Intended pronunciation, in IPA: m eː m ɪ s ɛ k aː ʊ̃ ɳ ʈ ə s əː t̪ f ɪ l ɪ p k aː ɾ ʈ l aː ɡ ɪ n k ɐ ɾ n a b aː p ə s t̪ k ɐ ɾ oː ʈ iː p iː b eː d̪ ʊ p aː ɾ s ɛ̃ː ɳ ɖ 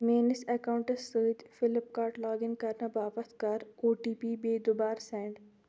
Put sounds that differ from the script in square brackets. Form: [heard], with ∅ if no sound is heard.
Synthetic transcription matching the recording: m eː [n] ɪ s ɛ k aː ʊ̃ ɳ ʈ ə s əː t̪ f ɪ l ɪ p k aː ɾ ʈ l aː ɡ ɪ n k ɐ ɾ n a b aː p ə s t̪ k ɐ ɾ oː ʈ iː p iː b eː d̪ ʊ [b] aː ɾ s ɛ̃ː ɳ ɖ